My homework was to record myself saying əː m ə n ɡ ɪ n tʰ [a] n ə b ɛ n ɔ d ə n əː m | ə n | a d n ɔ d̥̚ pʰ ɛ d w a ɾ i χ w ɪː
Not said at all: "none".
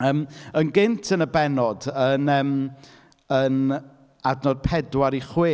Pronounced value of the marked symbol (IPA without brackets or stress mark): ə